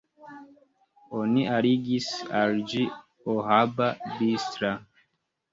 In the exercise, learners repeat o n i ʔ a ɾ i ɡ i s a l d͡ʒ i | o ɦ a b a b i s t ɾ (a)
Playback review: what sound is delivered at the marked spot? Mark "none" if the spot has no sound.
a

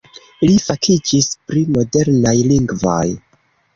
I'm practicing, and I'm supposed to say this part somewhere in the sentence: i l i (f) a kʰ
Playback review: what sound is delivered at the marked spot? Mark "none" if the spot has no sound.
f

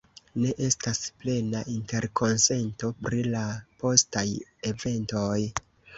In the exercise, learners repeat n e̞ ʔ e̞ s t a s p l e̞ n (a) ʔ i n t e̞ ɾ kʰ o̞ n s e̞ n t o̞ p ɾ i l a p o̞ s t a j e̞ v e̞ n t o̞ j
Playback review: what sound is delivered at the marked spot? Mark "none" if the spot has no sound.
a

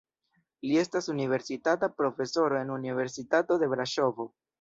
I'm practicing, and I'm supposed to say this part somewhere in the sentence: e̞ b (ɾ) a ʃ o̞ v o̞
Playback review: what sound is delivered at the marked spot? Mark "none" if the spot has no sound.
ɾ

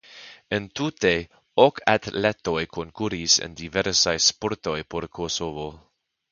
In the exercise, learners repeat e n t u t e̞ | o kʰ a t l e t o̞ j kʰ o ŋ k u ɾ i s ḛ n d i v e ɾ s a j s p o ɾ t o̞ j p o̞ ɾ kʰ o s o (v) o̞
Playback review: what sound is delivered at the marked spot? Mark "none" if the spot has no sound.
v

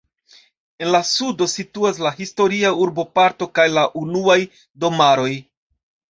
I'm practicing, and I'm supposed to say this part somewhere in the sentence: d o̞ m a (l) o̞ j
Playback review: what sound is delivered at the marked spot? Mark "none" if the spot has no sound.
ɾ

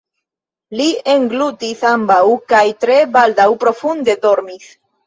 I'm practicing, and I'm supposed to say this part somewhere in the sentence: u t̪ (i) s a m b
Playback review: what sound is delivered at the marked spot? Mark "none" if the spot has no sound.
i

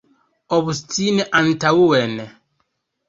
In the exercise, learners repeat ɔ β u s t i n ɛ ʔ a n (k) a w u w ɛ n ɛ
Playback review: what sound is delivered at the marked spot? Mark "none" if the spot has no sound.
t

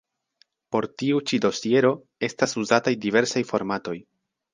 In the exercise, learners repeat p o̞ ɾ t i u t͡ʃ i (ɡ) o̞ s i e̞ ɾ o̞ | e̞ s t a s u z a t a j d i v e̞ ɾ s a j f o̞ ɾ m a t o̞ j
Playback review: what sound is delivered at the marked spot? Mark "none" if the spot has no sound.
d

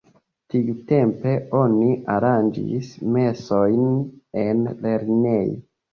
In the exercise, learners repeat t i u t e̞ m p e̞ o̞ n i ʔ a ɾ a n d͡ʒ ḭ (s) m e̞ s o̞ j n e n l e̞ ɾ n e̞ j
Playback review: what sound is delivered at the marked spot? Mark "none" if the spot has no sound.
s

